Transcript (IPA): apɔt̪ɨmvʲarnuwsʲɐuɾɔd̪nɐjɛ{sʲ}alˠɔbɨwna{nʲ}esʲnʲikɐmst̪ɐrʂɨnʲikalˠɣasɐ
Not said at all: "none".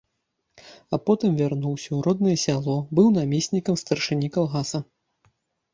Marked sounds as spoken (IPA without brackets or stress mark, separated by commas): sʲ, mʲ